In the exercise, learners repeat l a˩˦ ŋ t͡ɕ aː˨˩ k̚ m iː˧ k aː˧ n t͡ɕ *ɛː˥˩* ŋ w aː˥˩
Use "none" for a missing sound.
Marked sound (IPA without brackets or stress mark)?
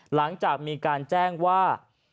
ɛː˥˩